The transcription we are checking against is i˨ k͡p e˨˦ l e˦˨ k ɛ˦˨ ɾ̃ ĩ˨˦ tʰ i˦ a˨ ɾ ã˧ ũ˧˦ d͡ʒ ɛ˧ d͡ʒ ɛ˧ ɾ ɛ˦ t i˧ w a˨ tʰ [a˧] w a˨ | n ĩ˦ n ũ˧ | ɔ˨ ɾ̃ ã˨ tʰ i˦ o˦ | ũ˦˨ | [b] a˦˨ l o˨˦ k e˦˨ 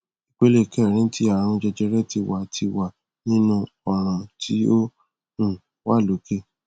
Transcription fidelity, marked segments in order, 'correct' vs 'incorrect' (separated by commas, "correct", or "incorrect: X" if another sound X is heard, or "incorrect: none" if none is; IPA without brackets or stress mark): incorrect: i˧, incorrect: w